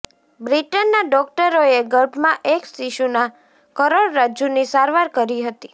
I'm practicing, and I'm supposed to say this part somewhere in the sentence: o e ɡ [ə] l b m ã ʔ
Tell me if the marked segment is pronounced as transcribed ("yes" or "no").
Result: yes